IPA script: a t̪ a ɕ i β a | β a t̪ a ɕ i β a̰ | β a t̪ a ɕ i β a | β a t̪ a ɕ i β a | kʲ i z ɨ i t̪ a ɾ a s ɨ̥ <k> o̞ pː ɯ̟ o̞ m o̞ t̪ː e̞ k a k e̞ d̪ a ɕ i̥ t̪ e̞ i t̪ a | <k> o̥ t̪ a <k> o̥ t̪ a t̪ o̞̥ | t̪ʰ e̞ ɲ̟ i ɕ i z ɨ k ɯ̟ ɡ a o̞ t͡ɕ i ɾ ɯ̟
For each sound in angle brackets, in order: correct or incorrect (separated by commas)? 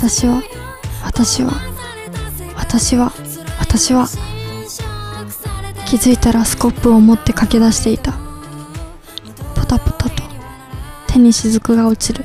correct, incorrect, incorrect